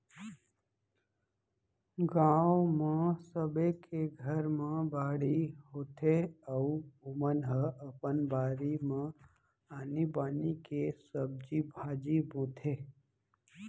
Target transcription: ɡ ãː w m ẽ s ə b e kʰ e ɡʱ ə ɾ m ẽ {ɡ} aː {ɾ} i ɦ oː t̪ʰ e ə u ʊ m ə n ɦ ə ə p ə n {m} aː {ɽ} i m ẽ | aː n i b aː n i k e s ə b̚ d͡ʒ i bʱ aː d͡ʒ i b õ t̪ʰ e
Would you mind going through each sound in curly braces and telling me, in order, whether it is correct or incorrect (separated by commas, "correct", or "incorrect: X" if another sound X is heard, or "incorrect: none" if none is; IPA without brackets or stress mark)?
incorrect: b, incorrect: ɽ, incorrect: b, incorrect: ɾ